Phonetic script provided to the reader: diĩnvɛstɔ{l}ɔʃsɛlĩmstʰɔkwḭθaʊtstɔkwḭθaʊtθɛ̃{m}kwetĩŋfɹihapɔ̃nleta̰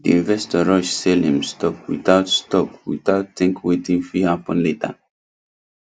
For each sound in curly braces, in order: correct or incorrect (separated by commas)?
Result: incorrect, incorrect